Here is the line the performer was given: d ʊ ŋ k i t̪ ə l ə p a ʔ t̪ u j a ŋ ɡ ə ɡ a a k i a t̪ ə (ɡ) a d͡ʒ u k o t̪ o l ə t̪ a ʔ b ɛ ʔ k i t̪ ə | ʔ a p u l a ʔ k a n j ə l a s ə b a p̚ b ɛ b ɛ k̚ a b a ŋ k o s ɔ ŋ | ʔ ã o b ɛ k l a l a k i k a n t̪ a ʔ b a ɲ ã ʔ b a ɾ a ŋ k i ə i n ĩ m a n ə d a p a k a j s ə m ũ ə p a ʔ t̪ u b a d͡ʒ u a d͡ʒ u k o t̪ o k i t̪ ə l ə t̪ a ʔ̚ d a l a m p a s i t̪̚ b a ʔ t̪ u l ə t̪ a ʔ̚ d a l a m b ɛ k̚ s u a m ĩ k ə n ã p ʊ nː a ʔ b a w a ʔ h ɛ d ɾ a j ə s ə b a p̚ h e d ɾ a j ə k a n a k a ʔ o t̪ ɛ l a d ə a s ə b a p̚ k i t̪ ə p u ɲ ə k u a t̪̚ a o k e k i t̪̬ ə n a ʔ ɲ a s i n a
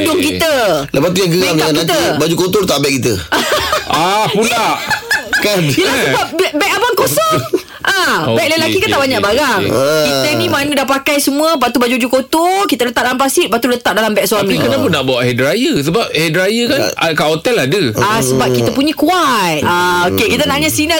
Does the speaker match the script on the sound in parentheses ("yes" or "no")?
no